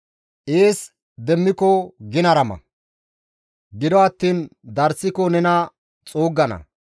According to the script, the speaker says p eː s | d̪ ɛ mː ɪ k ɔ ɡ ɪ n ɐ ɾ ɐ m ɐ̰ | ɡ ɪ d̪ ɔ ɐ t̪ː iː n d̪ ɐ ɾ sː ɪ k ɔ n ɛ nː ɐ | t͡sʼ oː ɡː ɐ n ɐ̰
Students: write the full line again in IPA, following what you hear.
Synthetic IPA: ʔ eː s | d̪ ɛ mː ɪ k ɔ ɡ ɪ n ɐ ɾ ɐ m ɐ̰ | ɡ ɪ d̪ ɔ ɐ t̪ː iː n d̪ ɐ ɾ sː ɪ k ɔ n ɛ n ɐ | t͡sʼ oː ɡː ɐ n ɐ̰